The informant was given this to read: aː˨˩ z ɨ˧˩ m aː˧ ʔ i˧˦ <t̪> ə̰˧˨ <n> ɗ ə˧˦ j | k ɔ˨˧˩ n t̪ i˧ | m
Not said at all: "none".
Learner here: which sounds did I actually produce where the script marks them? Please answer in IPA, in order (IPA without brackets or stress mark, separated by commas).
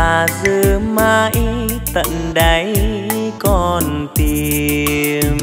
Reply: t̪, n